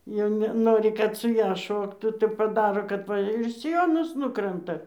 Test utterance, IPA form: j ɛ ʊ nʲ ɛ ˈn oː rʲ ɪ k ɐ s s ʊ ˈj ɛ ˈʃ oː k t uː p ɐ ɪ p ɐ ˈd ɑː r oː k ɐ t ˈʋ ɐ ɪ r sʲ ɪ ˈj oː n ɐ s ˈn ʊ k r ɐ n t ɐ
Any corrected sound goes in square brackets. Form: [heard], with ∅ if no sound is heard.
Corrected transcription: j ɛ ʊ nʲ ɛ ˈn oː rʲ ɪ k ɐ [t] s ʊ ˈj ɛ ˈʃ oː k t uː [t] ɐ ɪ p ɐ ˈd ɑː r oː k ɐ t ˈʋ ɐ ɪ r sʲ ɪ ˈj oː n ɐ s ˈn ʊ k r ɐ n t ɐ